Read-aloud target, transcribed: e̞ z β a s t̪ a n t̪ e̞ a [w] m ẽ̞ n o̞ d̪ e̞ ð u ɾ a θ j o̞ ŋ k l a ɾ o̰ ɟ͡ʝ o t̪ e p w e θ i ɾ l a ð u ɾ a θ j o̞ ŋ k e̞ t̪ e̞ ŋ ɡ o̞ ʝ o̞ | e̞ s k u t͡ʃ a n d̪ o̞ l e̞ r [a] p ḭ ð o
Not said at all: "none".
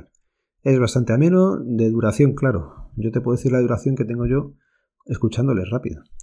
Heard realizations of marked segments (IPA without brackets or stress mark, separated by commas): none, a